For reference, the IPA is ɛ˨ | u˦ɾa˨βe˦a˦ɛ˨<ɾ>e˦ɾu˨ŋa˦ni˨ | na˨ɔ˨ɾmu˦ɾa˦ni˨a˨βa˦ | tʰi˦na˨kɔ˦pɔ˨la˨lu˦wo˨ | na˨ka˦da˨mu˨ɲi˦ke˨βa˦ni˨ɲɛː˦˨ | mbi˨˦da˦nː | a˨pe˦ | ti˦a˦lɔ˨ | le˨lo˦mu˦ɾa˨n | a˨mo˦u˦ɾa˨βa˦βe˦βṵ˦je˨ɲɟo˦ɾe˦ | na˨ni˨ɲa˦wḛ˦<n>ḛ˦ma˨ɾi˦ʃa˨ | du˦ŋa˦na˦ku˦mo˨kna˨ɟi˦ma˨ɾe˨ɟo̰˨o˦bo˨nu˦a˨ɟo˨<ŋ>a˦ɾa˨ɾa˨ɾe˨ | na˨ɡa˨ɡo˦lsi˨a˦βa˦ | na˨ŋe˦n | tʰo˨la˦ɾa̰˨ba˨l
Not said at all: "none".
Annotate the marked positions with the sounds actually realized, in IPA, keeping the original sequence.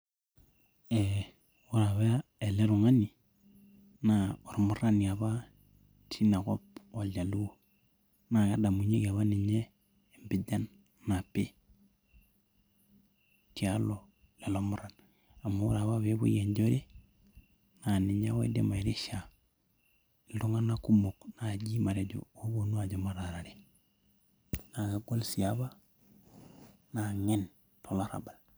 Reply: l, d, m

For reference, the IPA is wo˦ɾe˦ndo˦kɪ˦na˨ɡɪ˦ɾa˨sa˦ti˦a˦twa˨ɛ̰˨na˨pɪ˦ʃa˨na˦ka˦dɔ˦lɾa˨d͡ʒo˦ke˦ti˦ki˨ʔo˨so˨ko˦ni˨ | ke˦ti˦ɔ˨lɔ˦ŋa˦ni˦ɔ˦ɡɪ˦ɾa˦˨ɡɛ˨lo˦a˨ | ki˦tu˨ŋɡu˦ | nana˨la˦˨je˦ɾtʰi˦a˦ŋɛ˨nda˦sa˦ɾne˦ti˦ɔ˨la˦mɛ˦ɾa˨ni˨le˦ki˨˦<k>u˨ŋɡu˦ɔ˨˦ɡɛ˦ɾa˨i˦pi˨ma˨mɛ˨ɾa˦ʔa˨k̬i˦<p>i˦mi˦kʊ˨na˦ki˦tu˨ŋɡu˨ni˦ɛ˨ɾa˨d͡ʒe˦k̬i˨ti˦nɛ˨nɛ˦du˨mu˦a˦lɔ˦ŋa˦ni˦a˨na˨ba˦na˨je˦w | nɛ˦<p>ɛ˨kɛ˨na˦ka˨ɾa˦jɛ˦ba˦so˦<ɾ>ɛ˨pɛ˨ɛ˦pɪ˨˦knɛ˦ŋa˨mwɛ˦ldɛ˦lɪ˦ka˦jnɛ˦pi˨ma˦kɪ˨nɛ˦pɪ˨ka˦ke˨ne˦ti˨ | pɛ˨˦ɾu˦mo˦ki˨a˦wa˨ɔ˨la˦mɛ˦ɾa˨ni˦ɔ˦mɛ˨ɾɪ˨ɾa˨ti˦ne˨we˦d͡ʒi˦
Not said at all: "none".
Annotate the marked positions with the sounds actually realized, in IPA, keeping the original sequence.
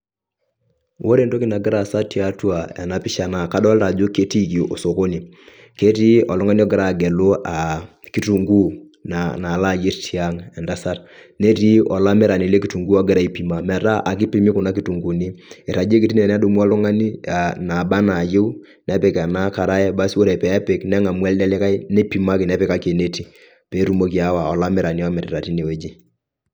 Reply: t, p, p, ɾ

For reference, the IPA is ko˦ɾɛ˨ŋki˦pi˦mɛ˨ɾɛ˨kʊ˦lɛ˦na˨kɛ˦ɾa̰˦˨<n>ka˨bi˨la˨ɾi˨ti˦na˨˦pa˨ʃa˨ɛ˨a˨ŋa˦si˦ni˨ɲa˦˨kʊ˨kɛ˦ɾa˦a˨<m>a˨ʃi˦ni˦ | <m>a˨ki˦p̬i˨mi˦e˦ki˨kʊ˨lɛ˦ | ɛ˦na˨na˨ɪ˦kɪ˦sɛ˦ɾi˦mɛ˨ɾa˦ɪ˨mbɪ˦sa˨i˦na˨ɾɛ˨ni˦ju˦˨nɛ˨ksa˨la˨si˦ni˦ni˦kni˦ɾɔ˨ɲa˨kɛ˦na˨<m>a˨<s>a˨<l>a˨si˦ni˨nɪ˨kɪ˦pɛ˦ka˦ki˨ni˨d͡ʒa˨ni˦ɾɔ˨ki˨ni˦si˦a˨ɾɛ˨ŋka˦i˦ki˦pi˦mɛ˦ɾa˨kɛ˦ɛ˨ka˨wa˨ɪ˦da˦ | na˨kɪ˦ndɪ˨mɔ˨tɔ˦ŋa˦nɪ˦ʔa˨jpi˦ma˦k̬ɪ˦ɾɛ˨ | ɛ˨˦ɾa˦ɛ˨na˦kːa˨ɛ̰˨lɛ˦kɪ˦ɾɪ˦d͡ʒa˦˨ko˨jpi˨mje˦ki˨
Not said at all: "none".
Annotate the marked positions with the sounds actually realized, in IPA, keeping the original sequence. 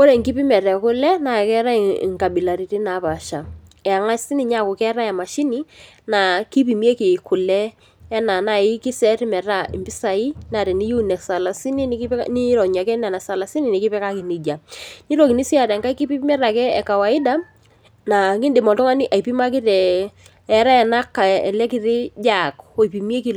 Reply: ŋ, m, n, n, s, l

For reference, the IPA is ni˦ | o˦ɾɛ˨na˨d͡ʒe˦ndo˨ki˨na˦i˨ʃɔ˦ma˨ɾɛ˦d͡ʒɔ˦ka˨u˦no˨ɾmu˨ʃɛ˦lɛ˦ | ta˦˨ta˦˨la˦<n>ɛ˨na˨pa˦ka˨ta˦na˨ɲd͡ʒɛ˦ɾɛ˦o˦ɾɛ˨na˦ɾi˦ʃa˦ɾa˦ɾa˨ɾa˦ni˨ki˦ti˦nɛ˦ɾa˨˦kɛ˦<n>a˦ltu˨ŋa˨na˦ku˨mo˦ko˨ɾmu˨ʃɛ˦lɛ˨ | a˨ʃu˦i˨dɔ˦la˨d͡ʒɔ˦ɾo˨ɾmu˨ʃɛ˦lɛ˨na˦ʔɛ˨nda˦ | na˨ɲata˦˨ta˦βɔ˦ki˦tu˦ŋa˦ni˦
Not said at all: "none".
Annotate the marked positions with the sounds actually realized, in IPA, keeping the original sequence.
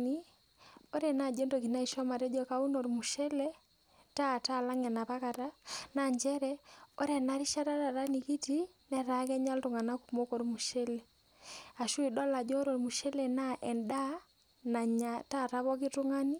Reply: ŋ, ɲ

